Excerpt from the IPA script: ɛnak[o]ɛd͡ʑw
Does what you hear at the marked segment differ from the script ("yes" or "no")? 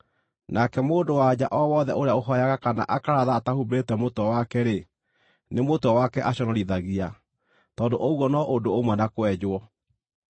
no